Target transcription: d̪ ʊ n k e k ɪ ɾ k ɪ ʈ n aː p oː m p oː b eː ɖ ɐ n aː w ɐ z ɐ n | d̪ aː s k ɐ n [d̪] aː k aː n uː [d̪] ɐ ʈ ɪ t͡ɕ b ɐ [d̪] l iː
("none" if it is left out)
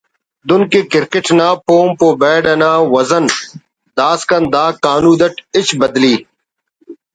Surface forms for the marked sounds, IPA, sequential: d̪, d̪, d̪

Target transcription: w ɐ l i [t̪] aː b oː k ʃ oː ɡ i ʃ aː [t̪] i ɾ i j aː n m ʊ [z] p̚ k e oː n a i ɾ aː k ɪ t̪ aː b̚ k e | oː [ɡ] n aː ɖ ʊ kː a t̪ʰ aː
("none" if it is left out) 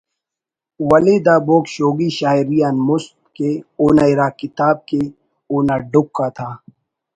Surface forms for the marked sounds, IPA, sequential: d̪, none, s, none

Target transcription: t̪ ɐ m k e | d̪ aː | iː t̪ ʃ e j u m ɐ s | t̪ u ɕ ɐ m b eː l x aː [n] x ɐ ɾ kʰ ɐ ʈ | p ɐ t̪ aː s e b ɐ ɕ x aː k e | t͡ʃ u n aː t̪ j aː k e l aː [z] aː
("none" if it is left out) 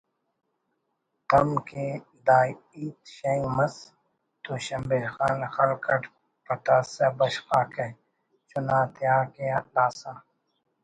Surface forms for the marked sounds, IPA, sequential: n, s

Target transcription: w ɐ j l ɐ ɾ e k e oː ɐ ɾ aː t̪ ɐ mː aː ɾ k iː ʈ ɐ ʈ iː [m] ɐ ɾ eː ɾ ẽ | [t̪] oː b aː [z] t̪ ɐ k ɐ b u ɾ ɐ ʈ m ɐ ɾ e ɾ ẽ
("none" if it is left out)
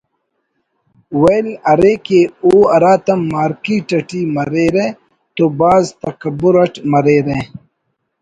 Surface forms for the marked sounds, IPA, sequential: m, t̪, z

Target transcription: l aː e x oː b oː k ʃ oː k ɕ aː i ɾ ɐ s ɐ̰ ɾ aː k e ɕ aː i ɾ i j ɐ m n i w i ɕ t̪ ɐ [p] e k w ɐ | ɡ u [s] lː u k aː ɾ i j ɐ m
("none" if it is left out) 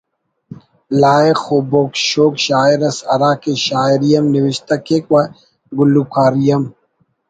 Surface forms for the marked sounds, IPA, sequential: k, none

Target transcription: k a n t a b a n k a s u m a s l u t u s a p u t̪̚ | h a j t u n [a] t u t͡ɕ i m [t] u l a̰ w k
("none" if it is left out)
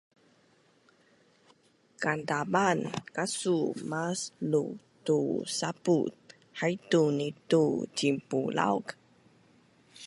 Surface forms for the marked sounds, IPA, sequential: i, p

